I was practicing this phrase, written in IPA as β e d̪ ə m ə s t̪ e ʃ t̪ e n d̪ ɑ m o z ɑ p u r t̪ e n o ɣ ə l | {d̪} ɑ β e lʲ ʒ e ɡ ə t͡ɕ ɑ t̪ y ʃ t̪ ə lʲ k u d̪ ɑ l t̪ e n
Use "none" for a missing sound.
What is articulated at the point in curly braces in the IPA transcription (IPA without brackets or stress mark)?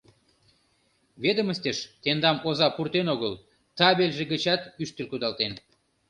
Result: t̪